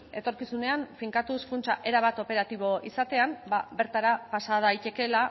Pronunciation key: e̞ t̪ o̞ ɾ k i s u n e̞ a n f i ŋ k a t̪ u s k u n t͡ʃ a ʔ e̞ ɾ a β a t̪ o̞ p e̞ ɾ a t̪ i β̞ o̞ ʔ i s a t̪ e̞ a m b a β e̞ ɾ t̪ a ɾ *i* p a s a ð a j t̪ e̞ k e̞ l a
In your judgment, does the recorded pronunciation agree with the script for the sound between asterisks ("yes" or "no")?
no